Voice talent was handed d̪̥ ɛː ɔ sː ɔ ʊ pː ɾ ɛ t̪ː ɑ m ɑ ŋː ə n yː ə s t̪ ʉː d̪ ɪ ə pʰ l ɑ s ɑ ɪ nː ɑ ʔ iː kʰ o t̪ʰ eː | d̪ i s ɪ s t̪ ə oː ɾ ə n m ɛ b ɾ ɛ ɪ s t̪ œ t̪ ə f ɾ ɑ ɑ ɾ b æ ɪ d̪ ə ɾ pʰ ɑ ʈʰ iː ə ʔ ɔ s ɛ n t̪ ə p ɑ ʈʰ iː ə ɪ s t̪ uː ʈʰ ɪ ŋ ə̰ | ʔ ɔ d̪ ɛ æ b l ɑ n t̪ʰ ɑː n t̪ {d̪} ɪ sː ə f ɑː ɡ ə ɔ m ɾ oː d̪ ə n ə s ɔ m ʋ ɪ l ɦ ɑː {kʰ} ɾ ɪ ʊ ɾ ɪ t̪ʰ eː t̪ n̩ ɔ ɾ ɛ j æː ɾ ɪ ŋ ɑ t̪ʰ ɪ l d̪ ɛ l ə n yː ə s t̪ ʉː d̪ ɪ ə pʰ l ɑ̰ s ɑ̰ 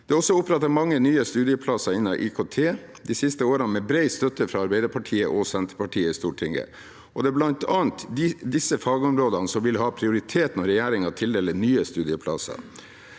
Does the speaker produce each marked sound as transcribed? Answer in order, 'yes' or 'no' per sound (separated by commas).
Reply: yes, no